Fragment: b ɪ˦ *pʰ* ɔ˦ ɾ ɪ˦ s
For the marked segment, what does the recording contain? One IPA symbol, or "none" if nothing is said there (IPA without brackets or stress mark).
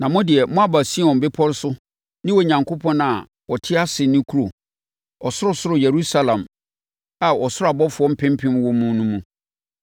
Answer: pʰ